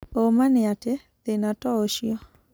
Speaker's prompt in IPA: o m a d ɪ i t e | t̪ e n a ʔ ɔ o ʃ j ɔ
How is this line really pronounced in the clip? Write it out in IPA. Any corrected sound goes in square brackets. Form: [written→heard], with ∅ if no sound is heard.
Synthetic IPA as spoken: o m a [d→n] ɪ [i→a] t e | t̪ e n a [ʔ→t] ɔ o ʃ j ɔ